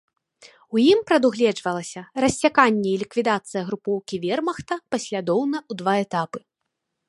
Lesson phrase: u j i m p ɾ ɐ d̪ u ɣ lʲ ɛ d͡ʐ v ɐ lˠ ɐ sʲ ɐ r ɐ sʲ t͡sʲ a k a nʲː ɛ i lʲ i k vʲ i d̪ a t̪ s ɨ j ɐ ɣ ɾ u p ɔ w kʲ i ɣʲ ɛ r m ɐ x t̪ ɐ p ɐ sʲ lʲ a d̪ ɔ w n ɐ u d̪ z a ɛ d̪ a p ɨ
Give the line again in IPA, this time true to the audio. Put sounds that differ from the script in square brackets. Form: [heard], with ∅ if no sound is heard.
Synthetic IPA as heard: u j i m p ɾ ɐ d̪ u ɣ lʲ ɛ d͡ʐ v ɐ lˠ ɐ sʲ ɐ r ɐ sʲ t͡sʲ a k a nʲː ɛ i lʲ i k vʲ i d̪ a t̪ s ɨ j ɐ ɣ ɾ u p ɔ w kʲ i [vʲ] ɛ r m ɐ x t̪ ɐ p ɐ sʲ lʲ a d̪ ɔ w n ɐ u d̪ [v] a ɛ [t̪] a p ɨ